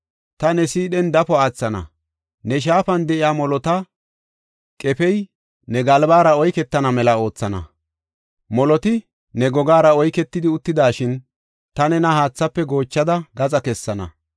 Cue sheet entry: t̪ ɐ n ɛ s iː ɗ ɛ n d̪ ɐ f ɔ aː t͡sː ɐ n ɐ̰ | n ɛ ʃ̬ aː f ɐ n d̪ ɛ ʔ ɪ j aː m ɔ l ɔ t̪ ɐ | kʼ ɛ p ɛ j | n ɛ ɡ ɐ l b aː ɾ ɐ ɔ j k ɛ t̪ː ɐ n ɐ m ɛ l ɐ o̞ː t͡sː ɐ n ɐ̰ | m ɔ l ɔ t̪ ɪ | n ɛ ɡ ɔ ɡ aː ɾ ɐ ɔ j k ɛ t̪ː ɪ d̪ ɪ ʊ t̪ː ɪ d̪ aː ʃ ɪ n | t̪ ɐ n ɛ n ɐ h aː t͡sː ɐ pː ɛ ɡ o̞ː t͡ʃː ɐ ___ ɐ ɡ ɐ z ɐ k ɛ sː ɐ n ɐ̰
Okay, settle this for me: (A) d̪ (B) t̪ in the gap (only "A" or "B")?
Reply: A